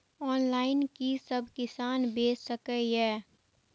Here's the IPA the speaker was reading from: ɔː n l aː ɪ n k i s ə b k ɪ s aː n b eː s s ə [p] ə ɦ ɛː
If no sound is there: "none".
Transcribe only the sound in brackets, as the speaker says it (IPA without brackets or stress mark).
k